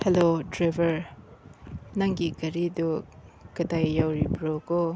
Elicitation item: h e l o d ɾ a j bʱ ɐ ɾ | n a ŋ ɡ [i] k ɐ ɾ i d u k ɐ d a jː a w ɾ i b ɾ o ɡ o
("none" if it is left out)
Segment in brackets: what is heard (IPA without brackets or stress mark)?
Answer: i